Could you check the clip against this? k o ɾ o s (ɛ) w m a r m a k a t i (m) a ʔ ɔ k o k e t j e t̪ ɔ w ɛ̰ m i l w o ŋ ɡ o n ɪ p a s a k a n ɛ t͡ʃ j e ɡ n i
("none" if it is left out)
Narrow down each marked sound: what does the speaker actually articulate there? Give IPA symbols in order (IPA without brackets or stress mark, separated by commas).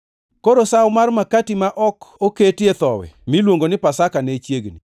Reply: a, m